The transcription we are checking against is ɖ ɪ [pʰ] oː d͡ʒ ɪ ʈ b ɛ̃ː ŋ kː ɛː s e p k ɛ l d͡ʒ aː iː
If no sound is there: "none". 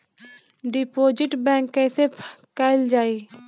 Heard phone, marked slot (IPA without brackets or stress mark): p